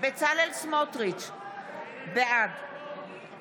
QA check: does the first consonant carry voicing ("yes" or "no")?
yes